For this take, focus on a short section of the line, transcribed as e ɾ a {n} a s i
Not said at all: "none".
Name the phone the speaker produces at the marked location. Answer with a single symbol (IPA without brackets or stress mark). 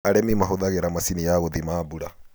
m